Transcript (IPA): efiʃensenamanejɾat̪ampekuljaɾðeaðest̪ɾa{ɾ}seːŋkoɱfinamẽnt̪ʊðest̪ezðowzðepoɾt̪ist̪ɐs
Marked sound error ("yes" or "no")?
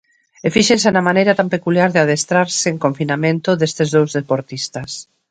no